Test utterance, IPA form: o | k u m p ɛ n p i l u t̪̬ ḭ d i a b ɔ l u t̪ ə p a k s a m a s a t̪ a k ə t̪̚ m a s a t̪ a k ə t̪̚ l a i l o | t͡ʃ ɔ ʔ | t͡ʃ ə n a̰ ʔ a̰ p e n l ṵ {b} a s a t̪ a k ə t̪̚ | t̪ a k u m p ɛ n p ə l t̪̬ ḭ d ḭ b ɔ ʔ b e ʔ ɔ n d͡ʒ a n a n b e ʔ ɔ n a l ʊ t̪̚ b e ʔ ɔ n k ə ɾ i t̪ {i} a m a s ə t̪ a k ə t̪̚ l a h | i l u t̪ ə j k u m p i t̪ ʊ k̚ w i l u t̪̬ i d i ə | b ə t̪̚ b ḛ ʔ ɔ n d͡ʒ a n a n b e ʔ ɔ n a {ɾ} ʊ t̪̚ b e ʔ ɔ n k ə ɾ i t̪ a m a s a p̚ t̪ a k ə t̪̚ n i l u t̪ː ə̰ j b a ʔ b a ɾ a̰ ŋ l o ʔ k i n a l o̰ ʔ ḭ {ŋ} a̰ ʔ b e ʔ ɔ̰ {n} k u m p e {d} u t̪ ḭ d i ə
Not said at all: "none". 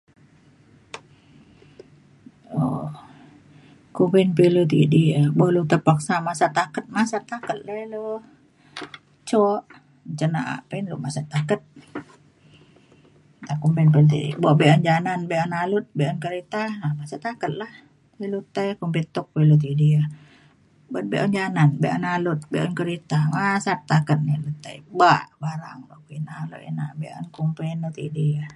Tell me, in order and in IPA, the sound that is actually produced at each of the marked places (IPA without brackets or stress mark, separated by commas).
m, a, l, n, n, n